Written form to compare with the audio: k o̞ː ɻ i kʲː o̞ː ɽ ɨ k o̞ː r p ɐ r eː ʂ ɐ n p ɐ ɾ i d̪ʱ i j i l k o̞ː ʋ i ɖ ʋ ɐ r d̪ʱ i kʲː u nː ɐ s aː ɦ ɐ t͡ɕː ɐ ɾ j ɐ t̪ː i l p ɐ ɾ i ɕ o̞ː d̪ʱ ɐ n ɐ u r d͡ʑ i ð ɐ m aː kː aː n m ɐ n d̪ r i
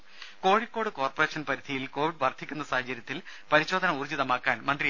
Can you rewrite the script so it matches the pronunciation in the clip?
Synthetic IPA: k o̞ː ɻ i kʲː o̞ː ɽ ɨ k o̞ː r p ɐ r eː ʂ ɐ n p ɐ ɾ i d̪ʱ i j i l k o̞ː ʋ i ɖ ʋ ɐ r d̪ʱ i kʲː u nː ɐ s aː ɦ ɐ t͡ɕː ɐ ɾ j ɐ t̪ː i l p ɐ ɾ i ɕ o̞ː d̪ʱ ɐ n ɐ u r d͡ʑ i ð ɐ m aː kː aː n m ɐ n d̪ r i